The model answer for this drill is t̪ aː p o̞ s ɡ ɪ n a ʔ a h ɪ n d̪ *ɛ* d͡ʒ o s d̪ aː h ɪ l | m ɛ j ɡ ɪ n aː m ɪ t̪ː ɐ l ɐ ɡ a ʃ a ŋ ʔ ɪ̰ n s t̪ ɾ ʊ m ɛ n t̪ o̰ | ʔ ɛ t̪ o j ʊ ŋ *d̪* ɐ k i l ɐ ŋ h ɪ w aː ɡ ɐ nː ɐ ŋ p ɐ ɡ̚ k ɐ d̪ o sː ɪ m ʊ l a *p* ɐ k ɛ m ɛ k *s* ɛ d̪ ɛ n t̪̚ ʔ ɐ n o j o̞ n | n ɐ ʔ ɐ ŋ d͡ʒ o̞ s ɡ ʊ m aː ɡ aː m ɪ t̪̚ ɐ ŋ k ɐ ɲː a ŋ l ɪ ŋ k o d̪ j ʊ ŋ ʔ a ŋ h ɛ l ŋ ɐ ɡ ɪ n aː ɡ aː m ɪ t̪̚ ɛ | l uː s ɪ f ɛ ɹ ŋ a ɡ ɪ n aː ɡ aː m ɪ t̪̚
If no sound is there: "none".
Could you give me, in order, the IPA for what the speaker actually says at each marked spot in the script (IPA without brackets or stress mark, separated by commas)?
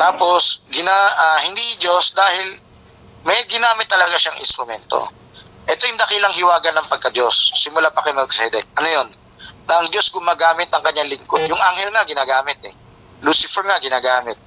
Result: i, d̪, p, s